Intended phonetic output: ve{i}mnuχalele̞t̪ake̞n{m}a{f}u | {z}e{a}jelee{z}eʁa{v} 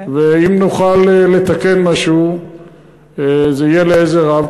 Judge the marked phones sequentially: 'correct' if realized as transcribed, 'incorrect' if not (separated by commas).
correct, correct, incorrect, correct, incorrect, correct, correct